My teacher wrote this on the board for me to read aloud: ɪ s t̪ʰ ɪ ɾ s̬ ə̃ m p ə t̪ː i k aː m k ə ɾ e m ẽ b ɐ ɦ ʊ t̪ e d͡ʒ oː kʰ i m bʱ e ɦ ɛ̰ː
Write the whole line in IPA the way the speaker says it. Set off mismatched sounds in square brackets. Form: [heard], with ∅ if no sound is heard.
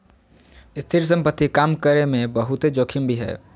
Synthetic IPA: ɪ s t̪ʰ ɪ ɾ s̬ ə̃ m p ə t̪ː i k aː m k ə ɾ e m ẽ b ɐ ɦ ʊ t̪ e d͡ʒ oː kʰ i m bʱ [i] ɦ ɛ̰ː